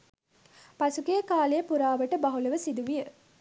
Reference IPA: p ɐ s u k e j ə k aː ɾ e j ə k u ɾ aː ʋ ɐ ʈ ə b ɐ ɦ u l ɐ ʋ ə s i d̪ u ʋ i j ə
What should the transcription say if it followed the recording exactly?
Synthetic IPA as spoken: p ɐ s u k e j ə k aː l e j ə p u ɾ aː ʋ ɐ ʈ ə b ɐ ɦ u l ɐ ʋ ə s i d̪ u ʋ i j ə